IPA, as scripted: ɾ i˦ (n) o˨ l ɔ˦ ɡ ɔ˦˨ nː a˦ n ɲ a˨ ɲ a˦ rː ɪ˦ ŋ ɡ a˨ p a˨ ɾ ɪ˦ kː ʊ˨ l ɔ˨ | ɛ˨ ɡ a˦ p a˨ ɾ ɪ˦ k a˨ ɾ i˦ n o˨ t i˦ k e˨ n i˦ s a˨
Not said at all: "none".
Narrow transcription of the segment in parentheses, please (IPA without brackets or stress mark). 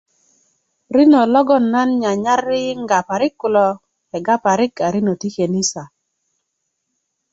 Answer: n